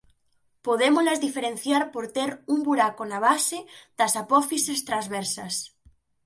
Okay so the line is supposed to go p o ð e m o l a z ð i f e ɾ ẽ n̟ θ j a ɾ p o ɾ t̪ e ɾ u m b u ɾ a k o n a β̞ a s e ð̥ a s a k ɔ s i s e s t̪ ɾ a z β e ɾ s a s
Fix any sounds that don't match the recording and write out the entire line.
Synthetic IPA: p o ð e m o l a z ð i f e ɾ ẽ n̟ θ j a ɾ p o ɾ t̪ e ɾ u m b u ɾ a k o n a β̞ a s e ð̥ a s a p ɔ f i s e s t̪ ɾ a z β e ɾ s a s